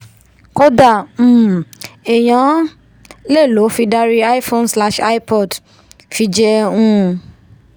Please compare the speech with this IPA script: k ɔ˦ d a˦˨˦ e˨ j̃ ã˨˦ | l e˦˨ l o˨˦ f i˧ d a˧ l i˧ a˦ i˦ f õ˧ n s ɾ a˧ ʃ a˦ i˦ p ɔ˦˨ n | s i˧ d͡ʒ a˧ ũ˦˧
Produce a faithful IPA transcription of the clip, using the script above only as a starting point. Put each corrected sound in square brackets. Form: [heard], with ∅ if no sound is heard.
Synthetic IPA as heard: k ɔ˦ d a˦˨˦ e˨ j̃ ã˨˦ | l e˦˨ l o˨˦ f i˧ d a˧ [ɾ] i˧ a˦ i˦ f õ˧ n s [l] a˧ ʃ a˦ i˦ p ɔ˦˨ [d] | [f] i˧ d͡ʒ [ɛ˧] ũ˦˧